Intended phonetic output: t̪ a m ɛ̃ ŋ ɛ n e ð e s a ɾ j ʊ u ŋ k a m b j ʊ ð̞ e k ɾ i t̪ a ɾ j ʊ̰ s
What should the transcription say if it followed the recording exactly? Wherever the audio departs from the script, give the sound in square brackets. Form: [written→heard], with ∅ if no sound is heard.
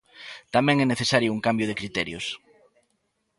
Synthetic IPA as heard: t̪ a m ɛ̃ ŋ ɛ n e [ð→θ] e s a ɾ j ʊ u ŋ k a m b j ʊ ð̞ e k ɾ i t̪ [a→ɛ] ɾ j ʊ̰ s